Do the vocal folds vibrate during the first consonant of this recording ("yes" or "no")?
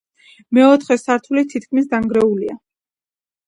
yes